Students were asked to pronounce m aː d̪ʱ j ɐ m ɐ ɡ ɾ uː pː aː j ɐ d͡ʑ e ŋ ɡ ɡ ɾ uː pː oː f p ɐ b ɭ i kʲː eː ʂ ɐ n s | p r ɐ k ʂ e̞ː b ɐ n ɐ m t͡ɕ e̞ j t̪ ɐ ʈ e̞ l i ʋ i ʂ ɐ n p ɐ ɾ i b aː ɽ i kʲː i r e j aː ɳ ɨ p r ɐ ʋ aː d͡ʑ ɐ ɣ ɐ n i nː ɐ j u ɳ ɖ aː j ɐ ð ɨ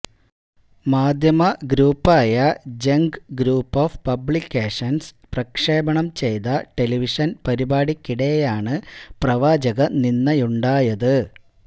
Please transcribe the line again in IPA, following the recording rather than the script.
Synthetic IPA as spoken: m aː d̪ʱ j ɐ m ɐ ɡ ɾ uː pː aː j ɐ d͡ʑ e ŋ ɡ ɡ ɾ uː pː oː f p ɐ b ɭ i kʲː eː ʂ ɐ n s | p r ɐ k ʂ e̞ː b ɐ ɳ ɐ m t͡ɕ e̞ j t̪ ɐ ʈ e̞ l i ʋ i ʂ ɐ n p ɐ ɾ i b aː ɽ i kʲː i ɽ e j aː ɳ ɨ p r ɐ ʋ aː d͡ʑ ɐ ɣ ɐ n i nː ɐ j u ɳ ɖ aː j ɐ ð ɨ

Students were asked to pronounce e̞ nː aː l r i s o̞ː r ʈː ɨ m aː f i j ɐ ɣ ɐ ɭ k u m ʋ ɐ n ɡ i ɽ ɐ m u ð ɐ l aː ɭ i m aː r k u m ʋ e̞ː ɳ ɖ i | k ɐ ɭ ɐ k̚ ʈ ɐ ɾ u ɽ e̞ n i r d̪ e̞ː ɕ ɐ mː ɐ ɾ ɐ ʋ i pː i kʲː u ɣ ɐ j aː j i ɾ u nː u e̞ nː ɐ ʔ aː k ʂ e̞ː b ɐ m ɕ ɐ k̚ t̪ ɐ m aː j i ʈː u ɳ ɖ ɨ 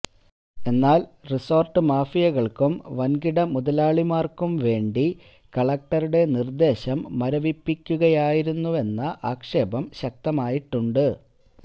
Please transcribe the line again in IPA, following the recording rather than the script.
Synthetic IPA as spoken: e̞ nː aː l r i s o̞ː r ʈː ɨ m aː f i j ɐ ɣ ɐ ɭ k u m ʋ ɐ n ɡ i ɽ ɐ m u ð ɐ l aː ɭ i m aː r k u m ʋ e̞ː ɳ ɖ i | k ɐ ɭ ɐ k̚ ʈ ɐ ɾ u ɽ e̞ n i r d̪ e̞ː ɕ ɐ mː ɐ ɾ ɐ ʋ i pː i kʲː u ɣ ɐ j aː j i ɾ u nː u e̞ nː ɐ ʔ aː k ʂ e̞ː b ɐ m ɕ ɐ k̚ t̪ ɐ m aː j i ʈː u ɳ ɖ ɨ

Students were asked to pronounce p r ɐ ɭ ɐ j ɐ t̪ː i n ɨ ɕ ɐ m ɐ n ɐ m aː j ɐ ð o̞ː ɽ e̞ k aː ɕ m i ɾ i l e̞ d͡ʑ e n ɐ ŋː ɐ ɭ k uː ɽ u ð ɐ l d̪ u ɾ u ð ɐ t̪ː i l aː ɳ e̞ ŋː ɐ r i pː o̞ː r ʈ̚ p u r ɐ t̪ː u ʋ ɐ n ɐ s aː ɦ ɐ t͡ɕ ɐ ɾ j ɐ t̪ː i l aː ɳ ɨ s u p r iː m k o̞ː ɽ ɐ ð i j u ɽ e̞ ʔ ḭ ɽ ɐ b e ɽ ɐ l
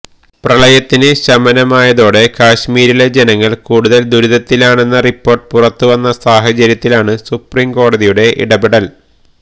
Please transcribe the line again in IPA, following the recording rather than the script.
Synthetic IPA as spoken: p r ɐ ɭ ɐ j ɐ t̪ː i n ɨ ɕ ɐ m ɐ n ɐ m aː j ɐ ð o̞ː ɽ e̞ k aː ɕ m iː ɾ i l e̞ d͡ʑ e n ɐ ŋː ɐ ɭ k uː ɽ u ð ɐ l d̪ u ɾ u ð ɐ t̪ː i l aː ɳ e̞ nː ɐ r i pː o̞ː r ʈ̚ p u r ɐ t̪ː u ʋ ɐ nː ɐ s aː ɦ ɐ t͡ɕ ɐ ɾ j ɐ t̪ː i l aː ɳ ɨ s u p r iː m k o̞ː ɽ ɐ ð i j u ɽ e̞ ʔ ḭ ɽ ɐ b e ɽ ɐ l

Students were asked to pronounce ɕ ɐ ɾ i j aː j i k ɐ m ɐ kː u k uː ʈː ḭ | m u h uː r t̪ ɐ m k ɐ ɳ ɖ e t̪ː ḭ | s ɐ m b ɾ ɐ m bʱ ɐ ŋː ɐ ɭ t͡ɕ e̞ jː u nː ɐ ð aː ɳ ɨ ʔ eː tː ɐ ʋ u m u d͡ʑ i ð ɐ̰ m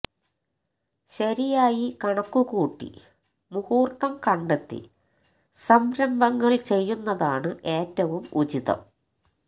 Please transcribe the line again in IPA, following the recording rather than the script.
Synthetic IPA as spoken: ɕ ɐ ɾ i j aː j i k ɐ ɳ ɐ kː u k uː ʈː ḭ | m u h uː r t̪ ɐ m k ɐ ɳ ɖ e t̪ː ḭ | s ɐ m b ɾ ɐ m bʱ ɐ ŋː ɐ ɭ t͡ɕ e̞ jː u nː ɐ ð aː ɳ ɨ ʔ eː tː ɐ ʋ u m u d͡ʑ i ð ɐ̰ m

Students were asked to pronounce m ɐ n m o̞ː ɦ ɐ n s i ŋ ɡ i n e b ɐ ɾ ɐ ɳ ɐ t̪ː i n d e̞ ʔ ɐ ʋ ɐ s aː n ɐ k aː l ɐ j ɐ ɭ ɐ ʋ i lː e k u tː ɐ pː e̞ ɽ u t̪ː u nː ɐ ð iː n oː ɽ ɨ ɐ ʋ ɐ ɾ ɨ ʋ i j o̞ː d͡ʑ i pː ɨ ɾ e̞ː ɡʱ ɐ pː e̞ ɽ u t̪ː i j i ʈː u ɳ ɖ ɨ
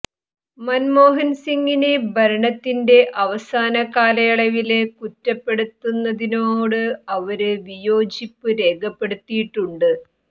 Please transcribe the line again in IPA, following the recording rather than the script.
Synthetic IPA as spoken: m ɐ n m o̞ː ɦ ɐ n s i ŋ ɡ i n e b ɐ ɾ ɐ ɳ ɐ t̪ː i n d e̞ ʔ ɐ ʋ ɐ s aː n ɐ k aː l ɐ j ɐ ɭ ɐ ʋ i l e k u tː ɐ pː e̞ ɽ u t̪ː u nː ɐ ð i n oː ɽ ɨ ɐ ʋ ɐ ɾ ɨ ʋ i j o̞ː d͡ʑ i pː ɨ ɾ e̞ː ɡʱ ɐ pː e̞ ɽ u t̪ː i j i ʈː u ɳ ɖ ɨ

